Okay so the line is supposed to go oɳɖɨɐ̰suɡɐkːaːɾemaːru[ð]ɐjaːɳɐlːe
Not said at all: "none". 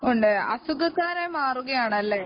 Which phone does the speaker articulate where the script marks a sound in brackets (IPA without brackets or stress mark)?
ɣ